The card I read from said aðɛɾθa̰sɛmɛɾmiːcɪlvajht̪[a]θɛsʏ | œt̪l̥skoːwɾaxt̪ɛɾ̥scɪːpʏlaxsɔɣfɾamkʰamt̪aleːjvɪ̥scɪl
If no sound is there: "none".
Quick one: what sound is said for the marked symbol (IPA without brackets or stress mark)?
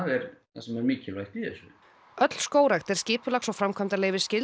i